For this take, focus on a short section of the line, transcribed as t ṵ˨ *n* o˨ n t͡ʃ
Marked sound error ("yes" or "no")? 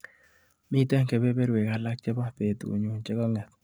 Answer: yes